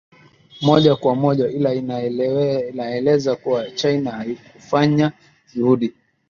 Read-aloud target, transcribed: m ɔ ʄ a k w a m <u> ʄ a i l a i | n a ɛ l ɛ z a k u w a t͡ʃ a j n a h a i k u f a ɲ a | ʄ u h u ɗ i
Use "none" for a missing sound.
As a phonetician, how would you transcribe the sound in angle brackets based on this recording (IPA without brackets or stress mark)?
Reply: ɔ